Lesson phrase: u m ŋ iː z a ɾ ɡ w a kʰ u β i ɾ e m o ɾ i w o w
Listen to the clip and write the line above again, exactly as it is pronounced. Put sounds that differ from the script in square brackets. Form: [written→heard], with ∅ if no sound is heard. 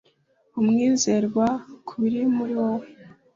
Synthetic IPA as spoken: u m ŋ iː z [a→e] ɾ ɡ w a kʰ u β i ɾ [e→i] m [o→u] ɾ i w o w